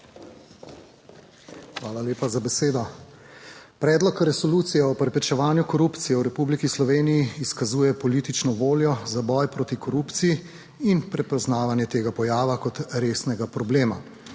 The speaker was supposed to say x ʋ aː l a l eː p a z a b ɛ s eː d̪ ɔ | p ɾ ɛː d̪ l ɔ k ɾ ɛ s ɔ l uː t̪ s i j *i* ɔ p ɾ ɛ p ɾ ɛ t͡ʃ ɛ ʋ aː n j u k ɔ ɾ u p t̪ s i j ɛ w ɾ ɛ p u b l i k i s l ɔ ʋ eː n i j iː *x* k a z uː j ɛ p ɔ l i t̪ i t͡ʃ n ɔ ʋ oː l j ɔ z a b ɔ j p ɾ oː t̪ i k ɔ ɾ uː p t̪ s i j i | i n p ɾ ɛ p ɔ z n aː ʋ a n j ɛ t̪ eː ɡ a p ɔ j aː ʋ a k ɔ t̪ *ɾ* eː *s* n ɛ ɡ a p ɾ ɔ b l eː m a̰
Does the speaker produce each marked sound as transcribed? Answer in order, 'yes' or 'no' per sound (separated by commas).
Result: no, no, yes, yes